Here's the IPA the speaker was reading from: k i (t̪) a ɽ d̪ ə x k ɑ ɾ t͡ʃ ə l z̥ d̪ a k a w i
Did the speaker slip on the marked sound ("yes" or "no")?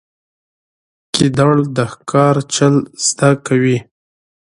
yes